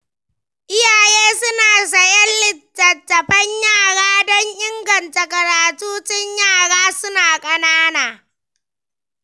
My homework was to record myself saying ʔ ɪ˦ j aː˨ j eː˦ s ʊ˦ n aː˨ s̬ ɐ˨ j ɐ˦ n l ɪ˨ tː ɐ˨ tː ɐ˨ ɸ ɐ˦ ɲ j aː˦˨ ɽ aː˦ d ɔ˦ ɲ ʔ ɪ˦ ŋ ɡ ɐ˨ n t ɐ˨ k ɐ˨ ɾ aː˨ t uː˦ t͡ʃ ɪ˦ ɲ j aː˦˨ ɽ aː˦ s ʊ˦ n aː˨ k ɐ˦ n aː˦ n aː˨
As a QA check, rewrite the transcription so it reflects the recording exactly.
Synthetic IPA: ʔ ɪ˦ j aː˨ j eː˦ s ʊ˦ n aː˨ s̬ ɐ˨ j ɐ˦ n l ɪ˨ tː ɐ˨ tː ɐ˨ ɸ ɐ˦ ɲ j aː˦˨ ɽ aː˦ d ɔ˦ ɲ ʔ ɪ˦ ŋ ɡ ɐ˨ n t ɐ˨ k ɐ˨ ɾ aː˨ t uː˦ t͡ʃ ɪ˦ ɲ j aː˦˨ ɽ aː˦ s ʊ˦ n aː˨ kʼ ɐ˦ n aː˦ n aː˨